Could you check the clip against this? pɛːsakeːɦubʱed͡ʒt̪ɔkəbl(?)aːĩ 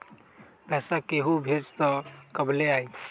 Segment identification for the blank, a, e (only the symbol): e